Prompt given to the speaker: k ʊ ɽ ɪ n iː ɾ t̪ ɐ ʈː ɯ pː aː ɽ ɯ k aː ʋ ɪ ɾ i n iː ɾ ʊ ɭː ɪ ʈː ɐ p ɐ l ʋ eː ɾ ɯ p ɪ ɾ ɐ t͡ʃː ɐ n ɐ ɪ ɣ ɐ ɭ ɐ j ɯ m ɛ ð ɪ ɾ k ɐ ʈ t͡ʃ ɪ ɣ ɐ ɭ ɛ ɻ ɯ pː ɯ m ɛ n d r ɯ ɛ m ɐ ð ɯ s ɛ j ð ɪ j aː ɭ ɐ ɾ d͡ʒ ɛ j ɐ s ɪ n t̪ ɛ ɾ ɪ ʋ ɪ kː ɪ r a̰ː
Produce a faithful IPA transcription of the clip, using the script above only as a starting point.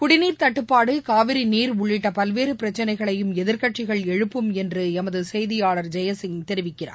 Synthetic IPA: k ʊ ɽ ɪ n iː ɾ t̪ ɐ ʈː ɯ pː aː ɽ ɯ k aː ʋ ɪ ɾ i n iː ɾ ʊ ɭː ɪ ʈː ɐ p ɐ l ʋ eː ɾ ɯ p ɪ ɾ ɐ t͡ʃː ɐ n ɐ ɪ ɣ ɐ ɭ ɐ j ɯ m ɛ ð ɪ ɾ k ɐ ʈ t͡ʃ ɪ ɣ ɐ ɭ ɛ ɻ ɯ pː ɯ m ɛ n d r ɯ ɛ m ɐ ð ɯ s ɛ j ð ɪ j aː ɭ ɐ ɾ d͡ʒ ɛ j ɐ s ɪ ŋ t̪ ɛ ɾ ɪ ʋ ɪ kː ɪ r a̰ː